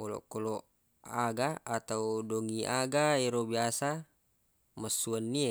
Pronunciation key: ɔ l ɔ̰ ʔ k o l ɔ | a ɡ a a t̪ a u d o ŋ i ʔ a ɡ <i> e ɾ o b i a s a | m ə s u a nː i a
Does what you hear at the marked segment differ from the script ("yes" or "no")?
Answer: yes